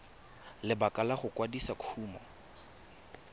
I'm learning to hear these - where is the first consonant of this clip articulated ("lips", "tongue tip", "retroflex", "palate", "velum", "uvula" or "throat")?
tongue tip